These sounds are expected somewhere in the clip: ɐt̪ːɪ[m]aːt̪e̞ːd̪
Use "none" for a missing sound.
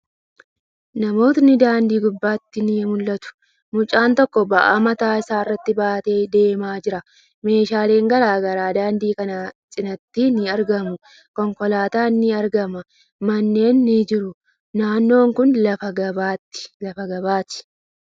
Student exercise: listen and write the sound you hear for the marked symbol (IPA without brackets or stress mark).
b